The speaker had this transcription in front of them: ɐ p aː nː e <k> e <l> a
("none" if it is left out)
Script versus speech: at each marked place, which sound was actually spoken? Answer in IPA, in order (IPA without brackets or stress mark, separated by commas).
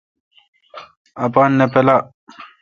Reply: p, l